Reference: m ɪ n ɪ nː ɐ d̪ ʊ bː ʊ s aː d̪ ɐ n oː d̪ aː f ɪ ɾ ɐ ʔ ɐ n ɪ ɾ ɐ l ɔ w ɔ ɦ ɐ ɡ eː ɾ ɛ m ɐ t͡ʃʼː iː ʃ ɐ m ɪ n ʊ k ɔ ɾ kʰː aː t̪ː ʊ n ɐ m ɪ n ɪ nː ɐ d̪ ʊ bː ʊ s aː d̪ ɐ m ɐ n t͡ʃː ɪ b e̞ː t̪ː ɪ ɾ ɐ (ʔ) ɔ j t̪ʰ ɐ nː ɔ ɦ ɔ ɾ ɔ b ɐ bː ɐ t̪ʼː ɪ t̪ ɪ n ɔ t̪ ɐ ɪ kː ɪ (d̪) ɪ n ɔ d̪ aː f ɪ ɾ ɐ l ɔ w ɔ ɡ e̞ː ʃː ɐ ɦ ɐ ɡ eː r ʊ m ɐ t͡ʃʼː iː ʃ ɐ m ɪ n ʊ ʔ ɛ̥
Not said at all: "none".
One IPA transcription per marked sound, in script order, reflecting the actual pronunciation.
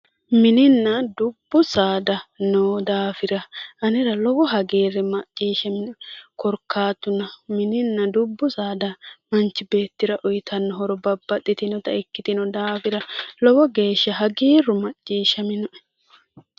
ʔ, t̪

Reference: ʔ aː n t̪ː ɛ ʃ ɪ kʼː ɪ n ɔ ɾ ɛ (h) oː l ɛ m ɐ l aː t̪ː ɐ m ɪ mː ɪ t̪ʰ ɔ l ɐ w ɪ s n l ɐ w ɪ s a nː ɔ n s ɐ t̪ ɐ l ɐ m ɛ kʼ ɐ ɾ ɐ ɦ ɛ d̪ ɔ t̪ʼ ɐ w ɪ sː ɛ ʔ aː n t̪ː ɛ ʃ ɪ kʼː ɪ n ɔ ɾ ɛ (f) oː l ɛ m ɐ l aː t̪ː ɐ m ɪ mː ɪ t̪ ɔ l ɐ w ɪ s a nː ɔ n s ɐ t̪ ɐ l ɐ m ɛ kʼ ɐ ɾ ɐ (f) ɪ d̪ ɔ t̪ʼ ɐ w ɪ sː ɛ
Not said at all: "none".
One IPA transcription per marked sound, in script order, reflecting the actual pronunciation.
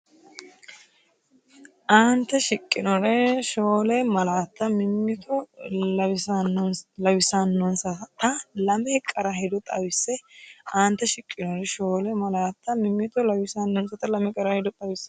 ʃ, ʃ, h

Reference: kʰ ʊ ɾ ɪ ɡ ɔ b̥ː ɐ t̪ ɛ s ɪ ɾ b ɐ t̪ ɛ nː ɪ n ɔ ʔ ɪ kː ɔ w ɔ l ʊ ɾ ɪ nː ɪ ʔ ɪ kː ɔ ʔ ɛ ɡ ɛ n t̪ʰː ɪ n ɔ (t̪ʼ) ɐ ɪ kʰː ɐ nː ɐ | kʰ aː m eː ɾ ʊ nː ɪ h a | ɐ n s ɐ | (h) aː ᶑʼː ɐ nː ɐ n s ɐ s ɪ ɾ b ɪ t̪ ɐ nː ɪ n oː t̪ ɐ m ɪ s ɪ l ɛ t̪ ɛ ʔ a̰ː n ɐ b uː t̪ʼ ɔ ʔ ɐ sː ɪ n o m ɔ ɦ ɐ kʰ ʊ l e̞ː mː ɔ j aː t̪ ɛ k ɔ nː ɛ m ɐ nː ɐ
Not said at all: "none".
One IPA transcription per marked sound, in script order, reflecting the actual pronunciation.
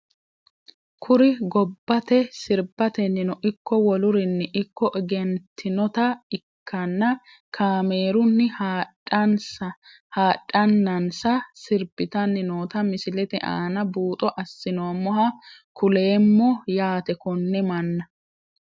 t̪, h

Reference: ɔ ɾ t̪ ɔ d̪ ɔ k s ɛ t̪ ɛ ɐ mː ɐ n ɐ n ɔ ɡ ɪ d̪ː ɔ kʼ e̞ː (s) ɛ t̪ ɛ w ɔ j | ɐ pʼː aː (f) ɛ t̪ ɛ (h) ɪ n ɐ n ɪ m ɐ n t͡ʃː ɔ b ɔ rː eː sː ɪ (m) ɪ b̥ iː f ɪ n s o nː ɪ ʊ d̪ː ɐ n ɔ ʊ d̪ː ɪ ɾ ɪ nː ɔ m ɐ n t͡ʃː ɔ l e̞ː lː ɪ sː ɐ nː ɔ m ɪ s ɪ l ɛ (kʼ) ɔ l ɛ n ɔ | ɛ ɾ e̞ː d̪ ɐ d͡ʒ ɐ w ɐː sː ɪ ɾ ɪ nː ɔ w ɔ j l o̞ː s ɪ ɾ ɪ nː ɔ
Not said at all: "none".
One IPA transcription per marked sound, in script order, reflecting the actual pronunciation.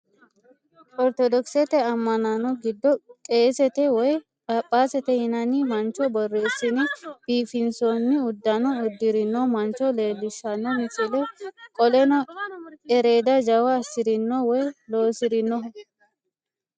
s, s, h, n, kʼ

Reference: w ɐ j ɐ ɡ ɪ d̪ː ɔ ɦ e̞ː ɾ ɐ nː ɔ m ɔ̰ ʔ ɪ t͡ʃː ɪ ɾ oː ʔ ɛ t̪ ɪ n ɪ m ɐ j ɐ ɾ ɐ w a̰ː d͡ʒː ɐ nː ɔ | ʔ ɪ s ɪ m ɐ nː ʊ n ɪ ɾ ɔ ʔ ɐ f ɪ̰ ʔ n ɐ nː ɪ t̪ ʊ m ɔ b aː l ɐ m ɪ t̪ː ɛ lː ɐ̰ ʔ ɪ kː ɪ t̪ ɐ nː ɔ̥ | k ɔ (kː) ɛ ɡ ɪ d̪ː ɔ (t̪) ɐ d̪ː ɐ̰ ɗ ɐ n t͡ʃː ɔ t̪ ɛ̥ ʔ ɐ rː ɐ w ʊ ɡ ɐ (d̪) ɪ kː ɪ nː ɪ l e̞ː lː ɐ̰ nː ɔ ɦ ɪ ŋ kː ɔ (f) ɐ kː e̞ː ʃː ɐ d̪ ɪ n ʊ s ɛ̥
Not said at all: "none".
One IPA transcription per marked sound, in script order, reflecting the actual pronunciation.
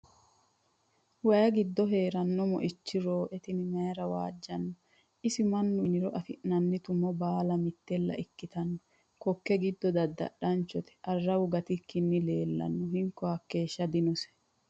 kː, d̪, t̪, h

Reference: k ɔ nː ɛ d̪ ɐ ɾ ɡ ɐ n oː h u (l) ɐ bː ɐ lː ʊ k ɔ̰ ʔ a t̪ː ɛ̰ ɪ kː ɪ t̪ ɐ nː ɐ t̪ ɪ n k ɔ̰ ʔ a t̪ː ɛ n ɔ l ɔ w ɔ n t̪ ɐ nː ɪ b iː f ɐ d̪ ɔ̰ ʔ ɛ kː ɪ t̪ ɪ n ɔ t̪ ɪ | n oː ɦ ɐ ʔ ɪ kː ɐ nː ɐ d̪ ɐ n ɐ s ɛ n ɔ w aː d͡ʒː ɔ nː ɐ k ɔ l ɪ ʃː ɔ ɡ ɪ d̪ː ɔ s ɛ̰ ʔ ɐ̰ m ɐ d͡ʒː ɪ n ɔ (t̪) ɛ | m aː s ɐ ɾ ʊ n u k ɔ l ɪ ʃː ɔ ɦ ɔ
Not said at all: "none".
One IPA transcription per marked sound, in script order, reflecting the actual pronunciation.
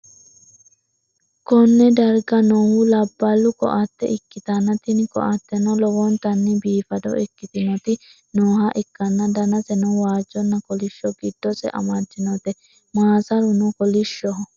l, t̪

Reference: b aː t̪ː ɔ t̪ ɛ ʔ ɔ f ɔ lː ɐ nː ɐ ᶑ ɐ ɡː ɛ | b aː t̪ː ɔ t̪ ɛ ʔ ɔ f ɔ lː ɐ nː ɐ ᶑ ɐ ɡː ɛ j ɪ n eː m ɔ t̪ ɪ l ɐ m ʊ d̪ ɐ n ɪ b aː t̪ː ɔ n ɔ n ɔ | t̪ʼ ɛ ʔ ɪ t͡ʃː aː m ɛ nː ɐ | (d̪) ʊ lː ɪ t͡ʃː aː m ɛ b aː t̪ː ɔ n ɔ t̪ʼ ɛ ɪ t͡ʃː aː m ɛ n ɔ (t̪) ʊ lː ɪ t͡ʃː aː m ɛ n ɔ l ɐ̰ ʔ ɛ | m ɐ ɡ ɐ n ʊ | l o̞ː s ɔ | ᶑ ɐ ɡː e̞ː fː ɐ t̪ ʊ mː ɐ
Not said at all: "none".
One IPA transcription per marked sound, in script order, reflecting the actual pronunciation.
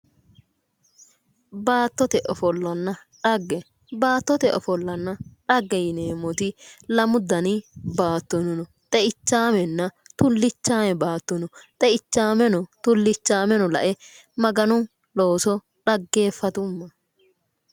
t̪, t̪

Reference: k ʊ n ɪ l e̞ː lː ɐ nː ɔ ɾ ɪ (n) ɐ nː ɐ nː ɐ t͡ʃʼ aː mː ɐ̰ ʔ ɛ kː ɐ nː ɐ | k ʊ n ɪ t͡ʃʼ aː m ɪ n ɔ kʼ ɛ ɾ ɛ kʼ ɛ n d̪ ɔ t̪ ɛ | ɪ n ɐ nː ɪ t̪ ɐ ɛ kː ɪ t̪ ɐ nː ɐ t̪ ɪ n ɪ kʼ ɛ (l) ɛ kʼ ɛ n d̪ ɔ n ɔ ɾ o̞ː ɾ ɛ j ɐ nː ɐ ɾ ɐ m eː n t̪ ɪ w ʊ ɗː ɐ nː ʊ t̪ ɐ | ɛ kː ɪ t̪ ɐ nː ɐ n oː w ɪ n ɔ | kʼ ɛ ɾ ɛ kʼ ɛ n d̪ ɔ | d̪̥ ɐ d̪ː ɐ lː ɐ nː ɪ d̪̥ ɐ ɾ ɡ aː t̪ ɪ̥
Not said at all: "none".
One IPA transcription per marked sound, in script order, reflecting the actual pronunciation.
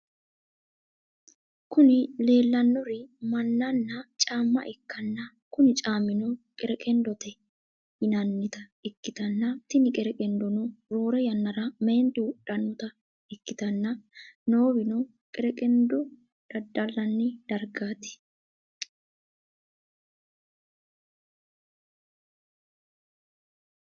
m, ɾ

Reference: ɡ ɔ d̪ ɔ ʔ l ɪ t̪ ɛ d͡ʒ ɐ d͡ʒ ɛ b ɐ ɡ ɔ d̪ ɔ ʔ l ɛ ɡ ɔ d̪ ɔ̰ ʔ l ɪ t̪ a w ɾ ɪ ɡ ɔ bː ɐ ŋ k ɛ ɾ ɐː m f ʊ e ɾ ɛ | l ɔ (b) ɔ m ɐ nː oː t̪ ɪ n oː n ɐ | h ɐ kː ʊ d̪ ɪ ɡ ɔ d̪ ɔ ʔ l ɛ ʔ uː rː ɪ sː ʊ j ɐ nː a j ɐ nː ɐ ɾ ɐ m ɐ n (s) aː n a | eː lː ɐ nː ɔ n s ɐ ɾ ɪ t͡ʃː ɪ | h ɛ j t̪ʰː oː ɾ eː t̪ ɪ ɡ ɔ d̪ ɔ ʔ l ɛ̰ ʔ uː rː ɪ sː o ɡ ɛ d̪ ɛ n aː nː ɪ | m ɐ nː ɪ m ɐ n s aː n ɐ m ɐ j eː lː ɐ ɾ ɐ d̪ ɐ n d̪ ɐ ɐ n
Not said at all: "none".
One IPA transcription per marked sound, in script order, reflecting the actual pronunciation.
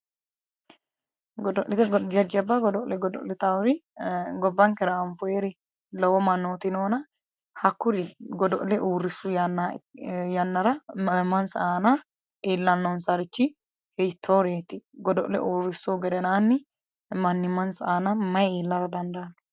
w, s

